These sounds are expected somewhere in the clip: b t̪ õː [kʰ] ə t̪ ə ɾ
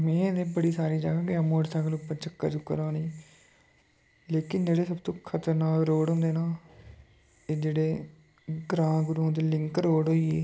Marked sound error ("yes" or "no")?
no